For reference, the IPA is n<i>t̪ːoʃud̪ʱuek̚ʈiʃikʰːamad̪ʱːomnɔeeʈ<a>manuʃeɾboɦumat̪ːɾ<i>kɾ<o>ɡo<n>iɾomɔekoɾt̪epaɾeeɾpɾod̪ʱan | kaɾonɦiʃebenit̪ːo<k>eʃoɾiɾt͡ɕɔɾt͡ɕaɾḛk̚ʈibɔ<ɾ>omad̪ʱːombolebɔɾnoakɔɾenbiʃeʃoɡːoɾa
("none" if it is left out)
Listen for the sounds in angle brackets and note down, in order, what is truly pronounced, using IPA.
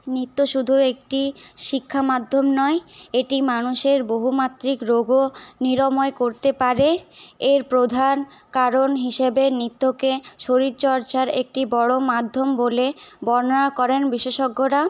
i, i, i, o, n, k, ɽ

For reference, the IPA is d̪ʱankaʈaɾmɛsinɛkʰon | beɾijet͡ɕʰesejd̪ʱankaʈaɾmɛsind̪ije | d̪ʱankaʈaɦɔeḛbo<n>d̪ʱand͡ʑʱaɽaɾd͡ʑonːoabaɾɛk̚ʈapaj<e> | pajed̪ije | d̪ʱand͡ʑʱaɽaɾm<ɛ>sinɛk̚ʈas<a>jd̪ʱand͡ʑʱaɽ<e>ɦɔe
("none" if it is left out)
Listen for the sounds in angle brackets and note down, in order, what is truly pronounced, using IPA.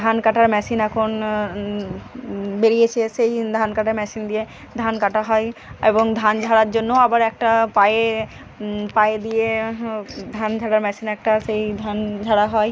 ŋ, e, ɛ, e, a

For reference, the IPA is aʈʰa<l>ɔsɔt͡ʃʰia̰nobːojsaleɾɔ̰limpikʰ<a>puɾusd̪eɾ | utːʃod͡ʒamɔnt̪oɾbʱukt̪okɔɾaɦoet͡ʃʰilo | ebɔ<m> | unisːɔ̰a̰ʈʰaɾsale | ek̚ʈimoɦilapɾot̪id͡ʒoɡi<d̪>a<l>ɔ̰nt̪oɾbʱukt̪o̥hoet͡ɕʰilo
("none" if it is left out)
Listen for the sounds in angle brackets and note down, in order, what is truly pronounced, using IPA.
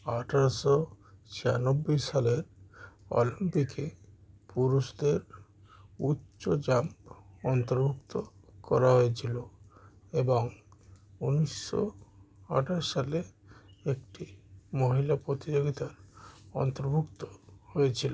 ɾ, e, ŋ, t̪, ɾ

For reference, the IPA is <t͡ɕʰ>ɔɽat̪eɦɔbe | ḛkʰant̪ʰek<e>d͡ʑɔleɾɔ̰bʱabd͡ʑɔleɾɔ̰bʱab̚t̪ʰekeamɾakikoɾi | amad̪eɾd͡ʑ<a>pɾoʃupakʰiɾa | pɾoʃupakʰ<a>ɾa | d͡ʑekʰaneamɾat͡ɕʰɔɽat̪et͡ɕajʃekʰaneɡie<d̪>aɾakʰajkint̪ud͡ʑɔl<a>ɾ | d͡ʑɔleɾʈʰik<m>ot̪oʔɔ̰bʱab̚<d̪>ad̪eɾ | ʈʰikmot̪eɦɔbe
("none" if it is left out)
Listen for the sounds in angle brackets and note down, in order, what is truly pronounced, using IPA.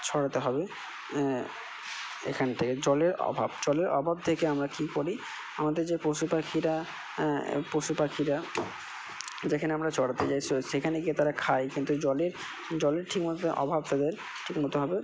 t͡ɕʰ, e, e, i, t̪, e, m, t̪

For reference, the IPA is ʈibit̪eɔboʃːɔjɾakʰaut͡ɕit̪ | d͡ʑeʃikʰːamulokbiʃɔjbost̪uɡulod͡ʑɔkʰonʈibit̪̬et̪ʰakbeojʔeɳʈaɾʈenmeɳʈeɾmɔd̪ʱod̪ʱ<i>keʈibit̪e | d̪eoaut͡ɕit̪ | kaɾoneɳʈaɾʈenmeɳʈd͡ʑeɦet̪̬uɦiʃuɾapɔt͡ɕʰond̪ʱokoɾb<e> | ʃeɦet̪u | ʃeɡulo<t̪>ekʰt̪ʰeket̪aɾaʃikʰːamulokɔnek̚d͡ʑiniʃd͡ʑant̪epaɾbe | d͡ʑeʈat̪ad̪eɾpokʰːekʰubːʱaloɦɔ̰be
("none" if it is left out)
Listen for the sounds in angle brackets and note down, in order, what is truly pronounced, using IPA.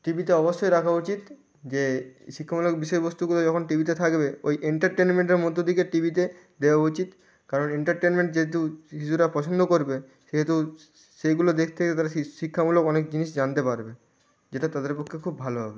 i, e, d̪

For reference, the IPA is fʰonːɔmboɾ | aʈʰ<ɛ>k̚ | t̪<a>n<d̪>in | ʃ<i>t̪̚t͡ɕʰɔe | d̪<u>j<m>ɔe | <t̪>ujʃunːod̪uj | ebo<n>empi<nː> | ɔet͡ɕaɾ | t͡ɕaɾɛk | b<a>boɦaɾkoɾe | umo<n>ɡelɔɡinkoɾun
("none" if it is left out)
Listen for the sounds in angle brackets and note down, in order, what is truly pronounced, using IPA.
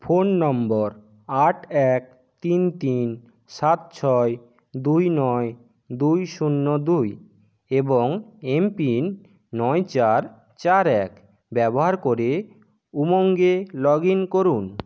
ɛ, i, t̪, a, u, n, d̪, ŋ, nː, ɛ, ŋ

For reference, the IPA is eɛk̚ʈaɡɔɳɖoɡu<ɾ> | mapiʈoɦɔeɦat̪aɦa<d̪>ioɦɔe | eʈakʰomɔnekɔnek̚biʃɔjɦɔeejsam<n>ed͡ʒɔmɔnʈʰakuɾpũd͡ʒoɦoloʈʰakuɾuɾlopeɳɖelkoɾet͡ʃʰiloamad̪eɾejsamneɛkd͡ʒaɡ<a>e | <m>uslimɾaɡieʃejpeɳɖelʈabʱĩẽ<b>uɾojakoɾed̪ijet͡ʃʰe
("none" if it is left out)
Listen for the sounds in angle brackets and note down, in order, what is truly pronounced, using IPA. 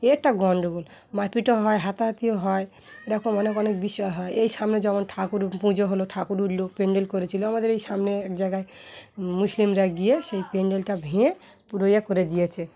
l, t̪, n, a, m, p

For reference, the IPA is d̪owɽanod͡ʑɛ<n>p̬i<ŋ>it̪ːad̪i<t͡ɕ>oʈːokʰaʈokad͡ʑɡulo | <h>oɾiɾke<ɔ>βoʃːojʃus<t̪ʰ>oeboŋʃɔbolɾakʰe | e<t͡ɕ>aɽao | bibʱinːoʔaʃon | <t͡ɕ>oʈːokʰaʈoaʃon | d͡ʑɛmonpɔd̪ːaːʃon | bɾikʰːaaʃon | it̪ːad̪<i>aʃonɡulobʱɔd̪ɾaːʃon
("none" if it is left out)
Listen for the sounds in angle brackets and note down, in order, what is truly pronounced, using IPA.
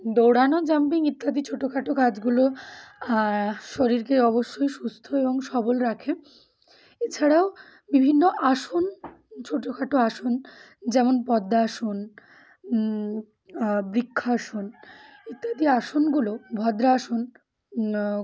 m, ŋ, t͡ɕʰ, ʃ, ɔ, t̪ʰ, t͡ɕʰ, t͡ɕʰ, i

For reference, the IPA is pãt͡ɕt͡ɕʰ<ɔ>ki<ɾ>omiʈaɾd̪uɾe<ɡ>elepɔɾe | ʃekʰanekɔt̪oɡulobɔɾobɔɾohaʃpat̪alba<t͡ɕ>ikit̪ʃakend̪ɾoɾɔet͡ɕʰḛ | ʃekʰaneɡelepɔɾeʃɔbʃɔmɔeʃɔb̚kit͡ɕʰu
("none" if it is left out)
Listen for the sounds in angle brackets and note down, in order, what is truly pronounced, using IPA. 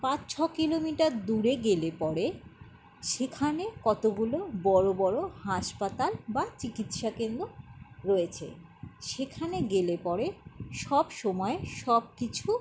ɔ, l, ɡ, t͡ɕ

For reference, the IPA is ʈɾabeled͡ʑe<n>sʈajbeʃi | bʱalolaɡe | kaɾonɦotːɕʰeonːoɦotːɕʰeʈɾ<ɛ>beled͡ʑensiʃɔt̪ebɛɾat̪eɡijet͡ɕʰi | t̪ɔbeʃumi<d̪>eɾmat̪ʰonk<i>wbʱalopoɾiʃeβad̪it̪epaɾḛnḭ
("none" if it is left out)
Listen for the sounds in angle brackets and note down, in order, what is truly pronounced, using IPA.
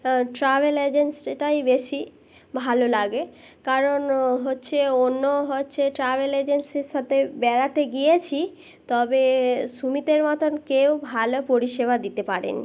n, a, t̪, e

